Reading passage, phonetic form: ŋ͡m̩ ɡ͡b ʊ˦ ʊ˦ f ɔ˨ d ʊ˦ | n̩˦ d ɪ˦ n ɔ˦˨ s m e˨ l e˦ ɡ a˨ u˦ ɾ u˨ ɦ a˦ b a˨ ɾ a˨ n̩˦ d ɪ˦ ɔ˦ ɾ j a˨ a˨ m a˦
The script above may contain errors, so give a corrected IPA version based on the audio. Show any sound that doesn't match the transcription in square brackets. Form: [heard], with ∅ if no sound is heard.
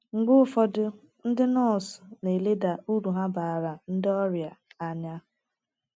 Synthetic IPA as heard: ŋ͡m̩ ɡ͡b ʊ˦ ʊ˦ f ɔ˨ d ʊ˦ | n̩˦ d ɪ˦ n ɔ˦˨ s [n] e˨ l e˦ [d] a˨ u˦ ɾ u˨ ɦ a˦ b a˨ ɾ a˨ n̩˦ d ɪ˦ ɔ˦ ɾ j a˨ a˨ [ɲ] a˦

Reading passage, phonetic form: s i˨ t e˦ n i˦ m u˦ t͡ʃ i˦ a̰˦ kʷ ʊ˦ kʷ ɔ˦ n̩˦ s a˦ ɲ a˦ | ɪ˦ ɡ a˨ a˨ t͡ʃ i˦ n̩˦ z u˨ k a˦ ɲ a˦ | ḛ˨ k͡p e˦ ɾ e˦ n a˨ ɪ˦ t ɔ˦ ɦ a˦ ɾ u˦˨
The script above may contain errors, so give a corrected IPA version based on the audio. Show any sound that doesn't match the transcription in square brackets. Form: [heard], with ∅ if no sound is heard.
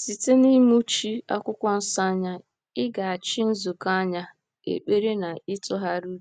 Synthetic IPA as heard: s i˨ t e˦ n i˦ m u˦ t͡ʃ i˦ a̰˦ kʷ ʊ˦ kʷ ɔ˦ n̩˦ s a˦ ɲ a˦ | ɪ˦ ɡ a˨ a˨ t͡ʃ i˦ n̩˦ z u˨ k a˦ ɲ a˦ | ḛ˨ k͡p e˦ ɾ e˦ n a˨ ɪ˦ t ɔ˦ ɦ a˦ ɾ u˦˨

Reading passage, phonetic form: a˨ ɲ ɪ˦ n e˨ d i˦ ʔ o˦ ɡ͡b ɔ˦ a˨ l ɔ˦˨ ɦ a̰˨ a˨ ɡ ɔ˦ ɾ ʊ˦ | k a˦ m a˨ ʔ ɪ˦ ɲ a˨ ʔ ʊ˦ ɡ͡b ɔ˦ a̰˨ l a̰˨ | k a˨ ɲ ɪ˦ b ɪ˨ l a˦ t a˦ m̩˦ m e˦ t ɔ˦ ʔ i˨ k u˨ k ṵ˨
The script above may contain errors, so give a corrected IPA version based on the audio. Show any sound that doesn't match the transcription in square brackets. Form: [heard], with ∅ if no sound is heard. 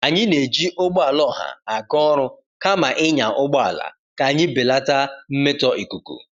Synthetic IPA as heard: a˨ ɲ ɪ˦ n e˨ [d͡ʒ] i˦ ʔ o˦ ɡ͡b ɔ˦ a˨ l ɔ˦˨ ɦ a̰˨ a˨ ɡ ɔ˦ ɾ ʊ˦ | k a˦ m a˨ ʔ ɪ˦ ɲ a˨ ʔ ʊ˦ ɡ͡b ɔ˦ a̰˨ l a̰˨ | k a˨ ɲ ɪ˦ b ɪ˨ l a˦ t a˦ m̩˦ m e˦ t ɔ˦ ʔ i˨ k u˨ k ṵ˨

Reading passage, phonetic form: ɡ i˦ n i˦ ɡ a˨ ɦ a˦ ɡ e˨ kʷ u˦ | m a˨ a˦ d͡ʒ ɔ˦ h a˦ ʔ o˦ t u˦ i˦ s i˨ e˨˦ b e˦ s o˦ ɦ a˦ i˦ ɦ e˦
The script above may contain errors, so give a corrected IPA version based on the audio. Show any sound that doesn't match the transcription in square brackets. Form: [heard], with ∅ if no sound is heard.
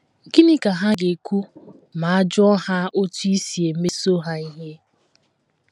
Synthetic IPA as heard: ɡ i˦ n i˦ [k] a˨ ɦ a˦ ɡ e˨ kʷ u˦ | m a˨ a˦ d͡ʒ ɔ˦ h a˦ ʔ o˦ t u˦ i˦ s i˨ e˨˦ [m] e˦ s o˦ ɦ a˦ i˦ ɦ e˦

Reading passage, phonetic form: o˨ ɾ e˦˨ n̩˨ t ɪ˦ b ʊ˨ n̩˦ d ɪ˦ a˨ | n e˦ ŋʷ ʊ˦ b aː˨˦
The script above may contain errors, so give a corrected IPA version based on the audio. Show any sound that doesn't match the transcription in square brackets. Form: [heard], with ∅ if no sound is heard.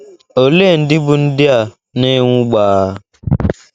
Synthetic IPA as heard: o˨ [l] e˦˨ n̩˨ [d] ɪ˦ b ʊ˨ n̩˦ d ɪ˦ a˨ | n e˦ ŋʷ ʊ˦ [ɡ͡b] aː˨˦

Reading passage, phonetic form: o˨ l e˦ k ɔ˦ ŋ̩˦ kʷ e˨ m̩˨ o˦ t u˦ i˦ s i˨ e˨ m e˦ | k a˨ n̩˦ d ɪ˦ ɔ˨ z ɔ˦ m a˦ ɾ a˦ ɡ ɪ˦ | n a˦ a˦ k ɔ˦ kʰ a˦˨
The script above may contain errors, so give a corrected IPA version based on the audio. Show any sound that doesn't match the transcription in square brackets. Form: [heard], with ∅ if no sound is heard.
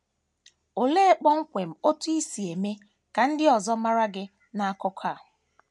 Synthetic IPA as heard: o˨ l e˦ [k͡p] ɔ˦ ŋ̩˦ kʷ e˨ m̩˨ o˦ t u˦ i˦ s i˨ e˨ m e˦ | k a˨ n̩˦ d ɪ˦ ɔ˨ z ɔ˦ m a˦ ɾ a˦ ɡ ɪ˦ | n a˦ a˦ k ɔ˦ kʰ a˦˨

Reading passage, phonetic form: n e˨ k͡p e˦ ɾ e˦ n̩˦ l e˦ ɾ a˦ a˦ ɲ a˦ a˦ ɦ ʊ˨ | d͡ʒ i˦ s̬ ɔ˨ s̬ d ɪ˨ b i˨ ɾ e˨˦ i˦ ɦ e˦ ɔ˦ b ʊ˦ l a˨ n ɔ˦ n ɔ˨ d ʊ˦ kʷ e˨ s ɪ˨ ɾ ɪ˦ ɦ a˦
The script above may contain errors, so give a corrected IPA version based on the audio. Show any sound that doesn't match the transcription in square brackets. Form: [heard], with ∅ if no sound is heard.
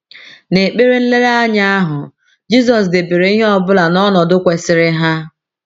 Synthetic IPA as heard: n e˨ k͡p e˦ ɾ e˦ n̩˦ l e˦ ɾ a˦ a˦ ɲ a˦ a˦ ɦ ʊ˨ | d͡ʒ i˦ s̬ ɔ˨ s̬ d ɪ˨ b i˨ ɾ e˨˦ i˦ ɦ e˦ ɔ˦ b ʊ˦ l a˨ n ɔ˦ n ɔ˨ d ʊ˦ kʷ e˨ s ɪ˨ ɾ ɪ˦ ɦ a˦

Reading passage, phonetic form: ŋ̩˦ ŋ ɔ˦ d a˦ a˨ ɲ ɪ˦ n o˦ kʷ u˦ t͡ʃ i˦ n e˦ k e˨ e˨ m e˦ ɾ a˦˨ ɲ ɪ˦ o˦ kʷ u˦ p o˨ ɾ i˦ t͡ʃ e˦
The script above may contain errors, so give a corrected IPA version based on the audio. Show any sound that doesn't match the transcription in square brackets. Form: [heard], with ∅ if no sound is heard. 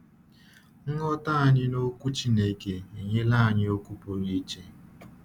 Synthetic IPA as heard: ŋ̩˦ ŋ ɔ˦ [t] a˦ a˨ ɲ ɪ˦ n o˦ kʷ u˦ t͡ʃ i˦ n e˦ k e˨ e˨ [ɲ] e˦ [l] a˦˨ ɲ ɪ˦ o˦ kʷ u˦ p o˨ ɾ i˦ t͡ʃ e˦

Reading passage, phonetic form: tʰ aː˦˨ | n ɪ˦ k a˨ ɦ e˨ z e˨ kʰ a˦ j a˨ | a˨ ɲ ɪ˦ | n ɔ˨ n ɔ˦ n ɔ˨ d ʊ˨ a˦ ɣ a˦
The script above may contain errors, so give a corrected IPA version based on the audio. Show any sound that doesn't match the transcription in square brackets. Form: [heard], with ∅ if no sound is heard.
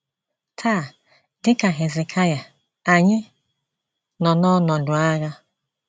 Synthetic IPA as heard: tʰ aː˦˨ | [d] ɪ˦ k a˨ ɦ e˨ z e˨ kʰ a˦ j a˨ | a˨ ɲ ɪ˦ | n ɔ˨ n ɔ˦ n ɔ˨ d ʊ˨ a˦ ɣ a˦

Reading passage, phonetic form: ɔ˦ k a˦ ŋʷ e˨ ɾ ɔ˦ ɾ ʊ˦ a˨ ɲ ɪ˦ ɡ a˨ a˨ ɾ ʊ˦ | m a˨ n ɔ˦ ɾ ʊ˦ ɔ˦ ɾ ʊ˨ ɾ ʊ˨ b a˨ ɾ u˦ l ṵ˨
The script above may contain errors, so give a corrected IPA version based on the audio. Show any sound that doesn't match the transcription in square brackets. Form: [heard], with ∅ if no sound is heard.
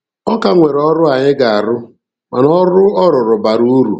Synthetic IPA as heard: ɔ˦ k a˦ ŋʷ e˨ ɾ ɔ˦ ɾ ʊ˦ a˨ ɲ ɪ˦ ɡ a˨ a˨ ɾ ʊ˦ | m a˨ n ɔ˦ ɾ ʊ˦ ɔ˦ ɾ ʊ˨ ɾ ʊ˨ b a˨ ɾ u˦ [ɾ] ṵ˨

